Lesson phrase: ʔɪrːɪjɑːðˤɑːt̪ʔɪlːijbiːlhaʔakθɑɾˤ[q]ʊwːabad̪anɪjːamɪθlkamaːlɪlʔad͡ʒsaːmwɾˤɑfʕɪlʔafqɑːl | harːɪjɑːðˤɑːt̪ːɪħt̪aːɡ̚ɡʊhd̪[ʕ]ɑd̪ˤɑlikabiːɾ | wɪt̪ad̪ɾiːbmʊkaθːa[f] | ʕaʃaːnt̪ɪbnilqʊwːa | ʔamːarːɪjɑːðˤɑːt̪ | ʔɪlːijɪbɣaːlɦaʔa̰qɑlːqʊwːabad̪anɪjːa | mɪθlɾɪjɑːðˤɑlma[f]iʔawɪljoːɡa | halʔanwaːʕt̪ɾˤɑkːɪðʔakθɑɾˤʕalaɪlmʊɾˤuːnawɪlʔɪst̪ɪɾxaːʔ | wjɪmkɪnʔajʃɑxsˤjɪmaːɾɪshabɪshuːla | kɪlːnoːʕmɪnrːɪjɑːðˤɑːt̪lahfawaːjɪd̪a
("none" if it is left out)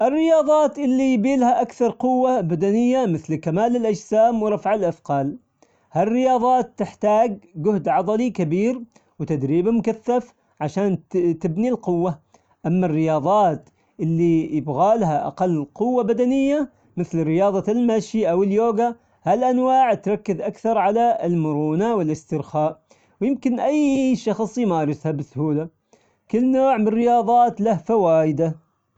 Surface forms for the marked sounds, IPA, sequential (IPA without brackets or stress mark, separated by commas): q, ʕ, f, ʃ